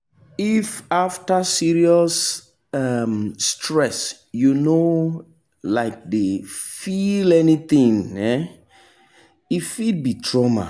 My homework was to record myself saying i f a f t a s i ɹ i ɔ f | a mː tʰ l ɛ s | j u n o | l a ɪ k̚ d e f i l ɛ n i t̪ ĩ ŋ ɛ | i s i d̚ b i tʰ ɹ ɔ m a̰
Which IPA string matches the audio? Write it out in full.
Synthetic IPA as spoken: i f a f t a s i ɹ i ɔ s | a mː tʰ ɹ ɛ s | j u n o | l a ɪ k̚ d e f i l ɛ n i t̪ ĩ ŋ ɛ | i f i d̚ b i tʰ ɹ ɔ m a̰